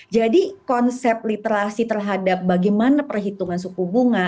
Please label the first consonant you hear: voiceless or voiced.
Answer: voiced